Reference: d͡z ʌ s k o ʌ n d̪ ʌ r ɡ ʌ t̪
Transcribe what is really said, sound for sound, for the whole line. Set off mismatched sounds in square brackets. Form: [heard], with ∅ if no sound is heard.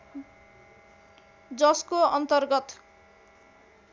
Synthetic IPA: d͡z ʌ s k o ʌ n [t̪] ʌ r ɡ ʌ t̪